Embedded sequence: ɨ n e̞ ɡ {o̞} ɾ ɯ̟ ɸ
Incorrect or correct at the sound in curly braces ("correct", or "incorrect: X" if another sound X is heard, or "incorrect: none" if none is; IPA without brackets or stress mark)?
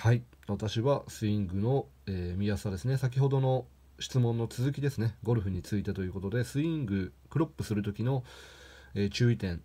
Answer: correct